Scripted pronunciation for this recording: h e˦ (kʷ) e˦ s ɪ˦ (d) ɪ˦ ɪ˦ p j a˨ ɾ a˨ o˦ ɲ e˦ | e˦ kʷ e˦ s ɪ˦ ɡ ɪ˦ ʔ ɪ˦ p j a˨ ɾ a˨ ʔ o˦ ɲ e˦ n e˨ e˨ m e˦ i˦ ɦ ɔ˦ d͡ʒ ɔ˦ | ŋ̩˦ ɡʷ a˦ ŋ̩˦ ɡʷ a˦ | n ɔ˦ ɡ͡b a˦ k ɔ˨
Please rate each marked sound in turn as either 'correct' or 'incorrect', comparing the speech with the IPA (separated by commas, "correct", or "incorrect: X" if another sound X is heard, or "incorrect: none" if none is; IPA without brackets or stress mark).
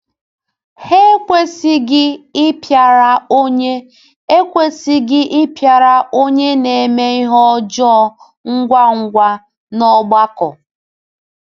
correct, incorrect: ɡ